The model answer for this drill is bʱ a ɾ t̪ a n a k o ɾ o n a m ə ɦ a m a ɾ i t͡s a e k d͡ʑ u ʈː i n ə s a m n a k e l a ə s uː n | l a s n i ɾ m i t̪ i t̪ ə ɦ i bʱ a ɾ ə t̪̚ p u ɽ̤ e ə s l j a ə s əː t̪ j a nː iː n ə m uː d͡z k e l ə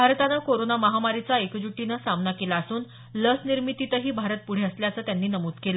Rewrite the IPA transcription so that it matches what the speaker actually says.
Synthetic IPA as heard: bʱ a ɾ t̪ a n a k o ɾ o n a m ə ɦ a m a ɾ i t͡s a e k d͡ʑ u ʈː i n ə s a m n a k e l a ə s uː n | l ə s n i ɾ m i t̪ i t̪ ə ɦ iː bʱ a ɾ ə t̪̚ p u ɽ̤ e ə s l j a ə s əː t̪ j a nː iː n ə m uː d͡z k e l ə